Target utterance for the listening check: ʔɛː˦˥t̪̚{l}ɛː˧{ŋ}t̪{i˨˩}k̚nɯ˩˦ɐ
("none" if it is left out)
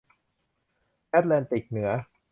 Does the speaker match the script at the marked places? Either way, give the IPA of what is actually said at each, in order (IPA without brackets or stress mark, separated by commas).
l, n, i˨˩